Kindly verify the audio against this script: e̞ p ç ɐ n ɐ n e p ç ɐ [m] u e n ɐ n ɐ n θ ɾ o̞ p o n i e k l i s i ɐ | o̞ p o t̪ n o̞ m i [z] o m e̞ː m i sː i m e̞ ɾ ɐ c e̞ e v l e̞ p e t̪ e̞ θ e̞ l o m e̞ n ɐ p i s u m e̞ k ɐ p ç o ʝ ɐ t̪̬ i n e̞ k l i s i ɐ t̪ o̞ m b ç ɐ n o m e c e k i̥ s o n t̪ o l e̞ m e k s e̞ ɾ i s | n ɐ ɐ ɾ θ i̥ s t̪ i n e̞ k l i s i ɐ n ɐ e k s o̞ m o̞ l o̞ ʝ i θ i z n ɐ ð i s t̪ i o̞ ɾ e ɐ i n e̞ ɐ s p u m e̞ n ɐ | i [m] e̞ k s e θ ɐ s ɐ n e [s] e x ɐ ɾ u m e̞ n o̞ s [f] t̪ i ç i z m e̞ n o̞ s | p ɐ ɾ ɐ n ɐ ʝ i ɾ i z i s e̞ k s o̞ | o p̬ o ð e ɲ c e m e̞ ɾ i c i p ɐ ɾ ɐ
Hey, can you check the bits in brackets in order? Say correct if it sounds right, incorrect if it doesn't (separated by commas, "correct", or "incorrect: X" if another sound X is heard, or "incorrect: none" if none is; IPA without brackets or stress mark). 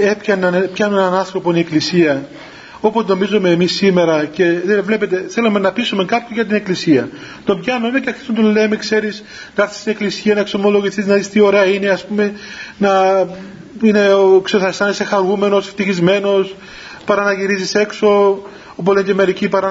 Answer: incorrect: n, correct, incorrect: n, correct, correct